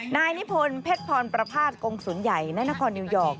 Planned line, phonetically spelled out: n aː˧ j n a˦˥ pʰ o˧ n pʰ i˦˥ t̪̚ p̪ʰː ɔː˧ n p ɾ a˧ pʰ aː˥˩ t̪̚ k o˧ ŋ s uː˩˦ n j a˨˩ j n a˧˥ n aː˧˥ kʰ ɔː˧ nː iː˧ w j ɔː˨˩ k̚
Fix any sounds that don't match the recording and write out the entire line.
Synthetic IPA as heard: n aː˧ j n i˦˥ pʰ o˧ n pʰ e˦˥ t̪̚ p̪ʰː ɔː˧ n p ɾ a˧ pʰ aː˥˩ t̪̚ k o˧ ŋ s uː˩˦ n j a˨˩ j n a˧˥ n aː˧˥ kʰ ɔː˧ nː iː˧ w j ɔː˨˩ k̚